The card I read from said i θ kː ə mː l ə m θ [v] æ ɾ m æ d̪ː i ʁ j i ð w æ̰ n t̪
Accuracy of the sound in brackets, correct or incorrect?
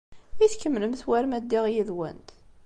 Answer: incorrect